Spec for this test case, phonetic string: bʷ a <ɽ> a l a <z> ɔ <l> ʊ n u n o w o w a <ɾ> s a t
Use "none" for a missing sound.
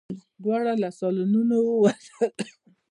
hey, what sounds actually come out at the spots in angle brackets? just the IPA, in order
ɾ, s, l, none

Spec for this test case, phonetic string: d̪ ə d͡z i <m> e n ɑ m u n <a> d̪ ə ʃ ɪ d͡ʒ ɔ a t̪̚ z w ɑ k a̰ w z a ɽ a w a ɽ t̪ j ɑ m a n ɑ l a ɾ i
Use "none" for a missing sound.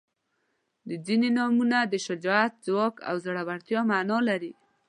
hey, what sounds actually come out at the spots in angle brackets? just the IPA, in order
n, a

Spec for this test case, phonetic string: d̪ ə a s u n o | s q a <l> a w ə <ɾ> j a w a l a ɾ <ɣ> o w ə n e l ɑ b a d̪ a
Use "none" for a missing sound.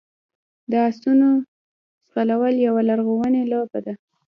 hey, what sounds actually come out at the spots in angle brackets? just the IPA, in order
l, l, ɣ

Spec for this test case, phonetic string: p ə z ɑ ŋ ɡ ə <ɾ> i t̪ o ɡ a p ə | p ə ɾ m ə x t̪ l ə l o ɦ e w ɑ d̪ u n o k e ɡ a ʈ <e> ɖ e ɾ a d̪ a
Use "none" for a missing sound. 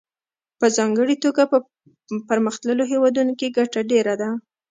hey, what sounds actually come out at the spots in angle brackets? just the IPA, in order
ɽ, a

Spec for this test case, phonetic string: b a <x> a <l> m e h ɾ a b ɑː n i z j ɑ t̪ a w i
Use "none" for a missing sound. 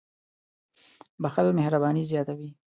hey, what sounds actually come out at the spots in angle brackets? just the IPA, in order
x, l

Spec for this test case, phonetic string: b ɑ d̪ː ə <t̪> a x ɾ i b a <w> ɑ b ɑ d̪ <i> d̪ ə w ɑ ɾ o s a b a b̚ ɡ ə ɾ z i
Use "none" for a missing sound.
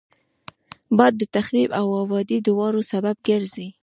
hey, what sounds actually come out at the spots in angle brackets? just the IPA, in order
t̪, w, i

